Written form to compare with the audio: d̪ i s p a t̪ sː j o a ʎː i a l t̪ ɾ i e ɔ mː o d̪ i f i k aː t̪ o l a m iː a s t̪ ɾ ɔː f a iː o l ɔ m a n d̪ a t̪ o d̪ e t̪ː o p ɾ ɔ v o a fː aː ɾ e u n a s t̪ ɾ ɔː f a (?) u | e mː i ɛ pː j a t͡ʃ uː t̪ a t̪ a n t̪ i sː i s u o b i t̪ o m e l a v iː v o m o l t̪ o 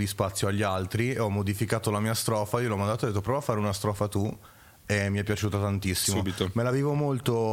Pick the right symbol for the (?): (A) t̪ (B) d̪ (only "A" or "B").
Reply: A